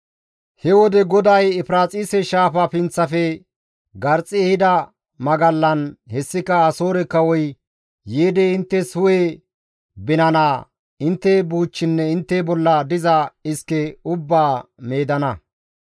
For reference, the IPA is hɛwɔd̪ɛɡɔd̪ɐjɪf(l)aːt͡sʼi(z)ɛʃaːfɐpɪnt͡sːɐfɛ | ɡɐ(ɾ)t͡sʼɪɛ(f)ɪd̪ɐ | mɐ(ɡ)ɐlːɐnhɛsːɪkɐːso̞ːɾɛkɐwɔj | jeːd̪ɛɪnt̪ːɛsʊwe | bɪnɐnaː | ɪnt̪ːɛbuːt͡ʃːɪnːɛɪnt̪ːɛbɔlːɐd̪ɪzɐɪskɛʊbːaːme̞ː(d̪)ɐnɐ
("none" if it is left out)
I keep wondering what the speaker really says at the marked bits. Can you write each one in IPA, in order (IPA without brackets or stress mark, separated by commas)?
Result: ɾ, s, ɾ, h, ɡ, d̪